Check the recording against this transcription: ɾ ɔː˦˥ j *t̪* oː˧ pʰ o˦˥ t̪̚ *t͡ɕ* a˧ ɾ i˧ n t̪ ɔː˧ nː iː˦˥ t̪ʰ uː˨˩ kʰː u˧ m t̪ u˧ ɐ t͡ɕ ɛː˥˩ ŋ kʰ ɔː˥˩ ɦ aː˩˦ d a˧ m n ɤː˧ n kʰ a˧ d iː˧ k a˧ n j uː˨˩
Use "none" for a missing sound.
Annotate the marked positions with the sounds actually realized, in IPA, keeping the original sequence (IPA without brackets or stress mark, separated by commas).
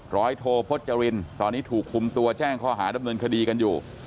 t̪ʰ, t͡ɕ